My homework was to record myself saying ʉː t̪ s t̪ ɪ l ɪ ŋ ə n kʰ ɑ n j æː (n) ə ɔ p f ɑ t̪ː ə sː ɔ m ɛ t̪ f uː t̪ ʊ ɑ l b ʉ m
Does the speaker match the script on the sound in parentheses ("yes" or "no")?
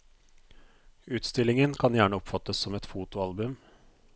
no